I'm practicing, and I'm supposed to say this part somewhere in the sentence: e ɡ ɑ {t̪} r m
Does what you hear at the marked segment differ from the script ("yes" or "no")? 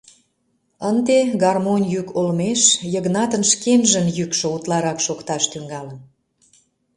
yes